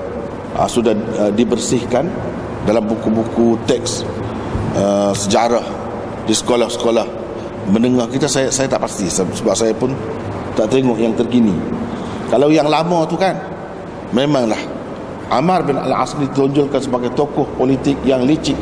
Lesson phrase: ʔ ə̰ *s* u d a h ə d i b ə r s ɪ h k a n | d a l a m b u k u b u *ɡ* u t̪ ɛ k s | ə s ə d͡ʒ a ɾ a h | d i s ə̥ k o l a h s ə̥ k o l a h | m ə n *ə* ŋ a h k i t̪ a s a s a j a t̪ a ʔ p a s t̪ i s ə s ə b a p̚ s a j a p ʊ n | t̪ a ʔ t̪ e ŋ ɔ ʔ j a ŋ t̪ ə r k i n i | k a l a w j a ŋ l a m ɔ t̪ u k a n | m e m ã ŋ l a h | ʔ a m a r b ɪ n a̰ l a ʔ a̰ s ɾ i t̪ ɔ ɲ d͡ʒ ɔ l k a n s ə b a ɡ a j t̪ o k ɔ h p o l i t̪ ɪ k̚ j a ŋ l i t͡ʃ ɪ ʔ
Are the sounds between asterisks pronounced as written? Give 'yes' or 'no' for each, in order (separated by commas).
yes, no, yes